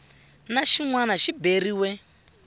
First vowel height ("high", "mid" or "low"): low